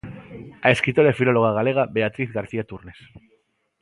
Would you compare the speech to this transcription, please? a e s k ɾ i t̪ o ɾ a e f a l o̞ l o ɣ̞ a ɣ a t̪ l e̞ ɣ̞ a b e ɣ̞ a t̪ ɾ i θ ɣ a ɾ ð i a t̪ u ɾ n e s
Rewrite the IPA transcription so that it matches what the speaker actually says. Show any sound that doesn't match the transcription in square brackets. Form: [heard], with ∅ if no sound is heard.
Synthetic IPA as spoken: a e s k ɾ i t̪ o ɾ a e f [i] l o̞ l o ɣ̞ a ɣ a [∅] l e̞ ɣ̞ a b e [∅] a t̪ ɾ i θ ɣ a ɾ [θ] i a t̪ u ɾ n e s